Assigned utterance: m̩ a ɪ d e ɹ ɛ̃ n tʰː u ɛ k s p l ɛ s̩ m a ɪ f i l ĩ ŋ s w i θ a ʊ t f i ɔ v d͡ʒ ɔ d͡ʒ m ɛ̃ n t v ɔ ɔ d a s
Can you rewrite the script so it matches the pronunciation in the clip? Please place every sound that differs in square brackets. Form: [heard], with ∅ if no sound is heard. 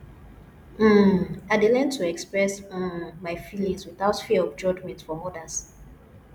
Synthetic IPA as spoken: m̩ a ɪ d e [l] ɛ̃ n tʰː u ɛ k s p [ɹ] ɛ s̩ m a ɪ f i l ĩ ŋ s w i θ a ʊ t f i ɔ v d͡ʒ ɔ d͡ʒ m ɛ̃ n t [f] ɔ ɔ d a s